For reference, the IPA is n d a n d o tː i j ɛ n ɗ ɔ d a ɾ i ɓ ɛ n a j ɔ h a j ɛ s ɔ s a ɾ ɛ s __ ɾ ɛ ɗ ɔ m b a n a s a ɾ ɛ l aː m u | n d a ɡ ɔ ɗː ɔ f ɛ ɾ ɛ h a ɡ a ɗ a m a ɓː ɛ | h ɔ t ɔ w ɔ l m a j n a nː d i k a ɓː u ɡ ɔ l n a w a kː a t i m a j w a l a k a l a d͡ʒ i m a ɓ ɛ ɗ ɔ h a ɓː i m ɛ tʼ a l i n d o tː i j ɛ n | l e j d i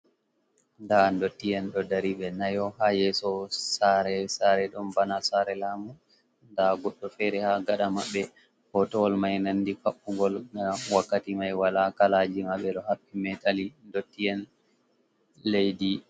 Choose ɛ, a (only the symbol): a